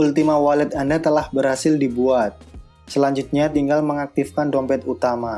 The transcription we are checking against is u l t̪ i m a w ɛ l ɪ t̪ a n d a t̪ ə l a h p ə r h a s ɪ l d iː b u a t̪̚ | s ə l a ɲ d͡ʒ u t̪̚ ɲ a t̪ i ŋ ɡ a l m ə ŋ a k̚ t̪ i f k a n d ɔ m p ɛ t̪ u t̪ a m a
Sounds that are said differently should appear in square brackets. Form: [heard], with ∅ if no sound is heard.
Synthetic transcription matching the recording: u l t̪ i m a w [a] l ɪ t̪ a n d a t̪ ə l a h [b] ə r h a s ɪ l d [i] b u a t̪̚ | s ə l a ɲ d͡ʒ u t̪̚ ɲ a t̪ i ŋ ɡ a l m ə ŋ a k̚ t̪ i f k a n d ɔ m p ɛ t̪ u t̪ a m a